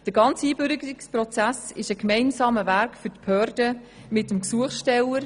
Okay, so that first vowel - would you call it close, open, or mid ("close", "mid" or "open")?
mid